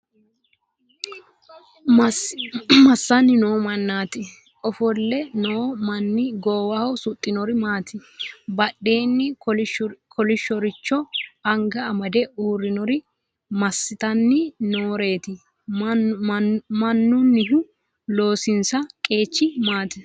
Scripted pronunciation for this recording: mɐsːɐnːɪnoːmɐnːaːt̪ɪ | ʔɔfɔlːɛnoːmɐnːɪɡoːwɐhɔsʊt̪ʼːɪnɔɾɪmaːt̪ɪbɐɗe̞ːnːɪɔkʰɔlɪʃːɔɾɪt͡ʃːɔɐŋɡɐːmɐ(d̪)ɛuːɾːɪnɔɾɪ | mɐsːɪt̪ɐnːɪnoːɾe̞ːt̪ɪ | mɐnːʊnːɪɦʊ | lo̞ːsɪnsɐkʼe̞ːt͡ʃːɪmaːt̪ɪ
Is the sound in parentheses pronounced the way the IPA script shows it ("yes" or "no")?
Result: yes